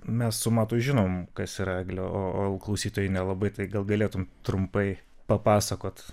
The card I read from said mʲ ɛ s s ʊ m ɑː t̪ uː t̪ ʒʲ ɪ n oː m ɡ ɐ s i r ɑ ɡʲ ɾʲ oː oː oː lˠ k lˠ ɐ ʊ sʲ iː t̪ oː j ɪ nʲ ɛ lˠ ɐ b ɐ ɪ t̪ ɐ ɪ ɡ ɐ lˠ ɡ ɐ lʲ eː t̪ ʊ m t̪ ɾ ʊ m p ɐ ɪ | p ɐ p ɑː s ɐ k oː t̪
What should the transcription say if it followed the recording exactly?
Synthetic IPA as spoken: mʲ ɛ s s ʊ m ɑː t̪ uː ʒʲ ɪ n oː m k ɐ s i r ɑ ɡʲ lʲ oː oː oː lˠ k lˠ ɐ ʊ sʲ iː t̪ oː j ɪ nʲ ɛ lˠ ɐ b ɐ ɪ t̪ ɐ ɪ ɡ ɐ lˠ ɡ ɐ lʲ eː t̪ ʊ m t̪ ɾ ʊ m p ɐ ɪ | p ɐ p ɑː s ɐ k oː t̪